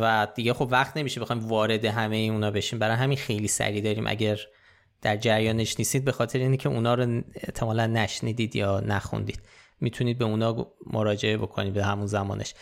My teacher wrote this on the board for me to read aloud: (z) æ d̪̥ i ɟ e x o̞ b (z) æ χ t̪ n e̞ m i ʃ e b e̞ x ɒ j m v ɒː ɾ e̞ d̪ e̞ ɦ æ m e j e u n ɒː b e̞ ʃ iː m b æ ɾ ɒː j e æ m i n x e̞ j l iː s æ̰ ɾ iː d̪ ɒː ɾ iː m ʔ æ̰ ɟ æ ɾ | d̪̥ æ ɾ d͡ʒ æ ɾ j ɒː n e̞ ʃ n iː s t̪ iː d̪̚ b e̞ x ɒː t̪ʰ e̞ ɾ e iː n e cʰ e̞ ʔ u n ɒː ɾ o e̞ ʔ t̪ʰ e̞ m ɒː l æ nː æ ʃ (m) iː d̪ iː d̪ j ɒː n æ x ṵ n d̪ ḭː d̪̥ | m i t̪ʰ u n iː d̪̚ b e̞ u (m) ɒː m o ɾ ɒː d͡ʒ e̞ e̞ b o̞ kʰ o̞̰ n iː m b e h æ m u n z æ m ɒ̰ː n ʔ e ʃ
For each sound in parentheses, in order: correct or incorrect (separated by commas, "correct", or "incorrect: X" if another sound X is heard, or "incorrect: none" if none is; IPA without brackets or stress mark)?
incorrect: v, incorrect: v, incorrect: n, incorrect: n